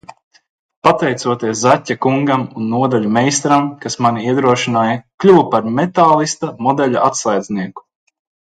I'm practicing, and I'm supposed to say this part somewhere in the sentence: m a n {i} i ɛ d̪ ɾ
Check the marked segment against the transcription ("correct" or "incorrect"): correct